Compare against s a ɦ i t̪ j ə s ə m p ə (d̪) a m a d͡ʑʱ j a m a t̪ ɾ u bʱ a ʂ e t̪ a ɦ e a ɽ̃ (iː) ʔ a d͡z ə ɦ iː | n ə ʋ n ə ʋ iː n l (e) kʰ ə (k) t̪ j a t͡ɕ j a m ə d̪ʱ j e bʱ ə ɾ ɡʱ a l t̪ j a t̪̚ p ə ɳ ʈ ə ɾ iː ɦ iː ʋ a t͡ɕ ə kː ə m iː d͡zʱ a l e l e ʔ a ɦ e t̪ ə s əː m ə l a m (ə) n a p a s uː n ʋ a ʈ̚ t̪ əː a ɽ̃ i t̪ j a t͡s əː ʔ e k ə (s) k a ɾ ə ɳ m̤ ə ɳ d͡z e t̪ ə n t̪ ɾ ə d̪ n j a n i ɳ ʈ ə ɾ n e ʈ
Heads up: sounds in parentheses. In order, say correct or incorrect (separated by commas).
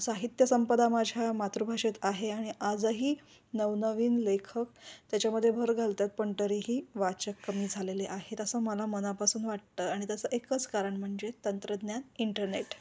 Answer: correct, incorrect, correct, correct, correct, incorrect